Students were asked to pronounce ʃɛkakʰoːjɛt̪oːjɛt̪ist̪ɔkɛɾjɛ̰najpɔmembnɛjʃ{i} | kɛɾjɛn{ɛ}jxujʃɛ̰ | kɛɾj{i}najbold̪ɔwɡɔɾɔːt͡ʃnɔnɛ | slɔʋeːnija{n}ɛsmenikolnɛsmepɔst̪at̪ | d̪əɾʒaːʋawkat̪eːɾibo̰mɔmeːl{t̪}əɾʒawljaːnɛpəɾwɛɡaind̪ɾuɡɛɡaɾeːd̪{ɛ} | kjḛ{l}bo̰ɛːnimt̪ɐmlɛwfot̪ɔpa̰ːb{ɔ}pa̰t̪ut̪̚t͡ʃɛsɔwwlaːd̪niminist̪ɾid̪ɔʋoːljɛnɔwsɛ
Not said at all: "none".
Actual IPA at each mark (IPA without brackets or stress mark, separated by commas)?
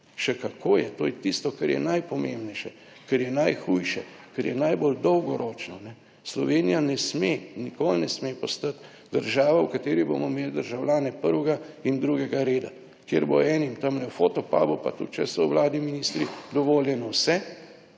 ɛ, a, ɛ, n, d̪, a, ɾ, u